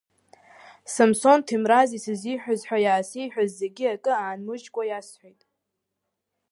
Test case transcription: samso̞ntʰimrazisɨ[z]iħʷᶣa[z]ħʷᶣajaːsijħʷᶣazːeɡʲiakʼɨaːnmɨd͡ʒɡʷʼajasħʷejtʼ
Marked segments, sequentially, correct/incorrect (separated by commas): correct, correct